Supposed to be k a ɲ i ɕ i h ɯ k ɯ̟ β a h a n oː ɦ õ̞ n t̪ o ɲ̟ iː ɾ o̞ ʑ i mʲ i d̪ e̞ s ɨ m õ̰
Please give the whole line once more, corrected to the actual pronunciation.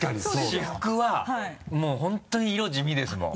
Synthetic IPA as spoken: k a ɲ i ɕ i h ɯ k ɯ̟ β a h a m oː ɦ õ̞ n t̪ o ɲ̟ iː ɾ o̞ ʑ i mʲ i d̪ e̞ s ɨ m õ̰